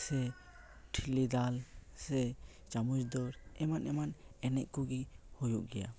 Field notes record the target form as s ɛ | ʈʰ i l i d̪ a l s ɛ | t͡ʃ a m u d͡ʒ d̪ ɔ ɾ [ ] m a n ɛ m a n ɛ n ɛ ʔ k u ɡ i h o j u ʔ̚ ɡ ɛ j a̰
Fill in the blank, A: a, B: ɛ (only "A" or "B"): B